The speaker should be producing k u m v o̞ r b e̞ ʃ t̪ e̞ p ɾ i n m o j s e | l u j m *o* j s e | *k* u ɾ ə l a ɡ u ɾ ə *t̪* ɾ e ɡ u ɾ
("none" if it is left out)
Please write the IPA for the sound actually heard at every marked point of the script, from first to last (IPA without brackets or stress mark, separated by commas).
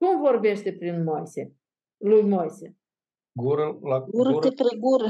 o, ɡ, t̪